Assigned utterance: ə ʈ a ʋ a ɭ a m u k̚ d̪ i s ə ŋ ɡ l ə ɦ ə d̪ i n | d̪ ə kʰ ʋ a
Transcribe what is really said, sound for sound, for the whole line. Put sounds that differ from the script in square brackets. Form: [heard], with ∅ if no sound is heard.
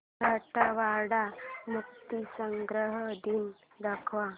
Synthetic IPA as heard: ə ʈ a ʋ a [ɽ] a m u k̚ [t̪] i s ə ŋ ɡ [ɾ] ə ɦ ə d̪ i n | d̪ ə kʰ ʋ a